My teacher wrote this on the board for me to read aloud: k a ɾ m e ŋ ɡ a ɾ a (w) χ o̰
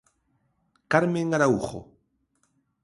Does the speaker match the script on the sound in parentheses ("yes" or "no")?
no